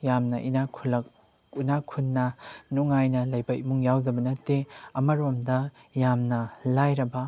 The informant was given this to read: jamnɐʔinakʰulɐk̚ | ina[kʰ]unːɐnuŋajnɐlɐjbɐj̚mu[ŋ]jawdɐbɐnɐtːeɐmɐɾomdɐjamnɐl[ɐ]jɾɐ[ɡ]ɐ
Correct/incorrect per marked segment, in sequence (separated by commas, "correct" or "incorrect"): correct, correct, incorrect, incorrect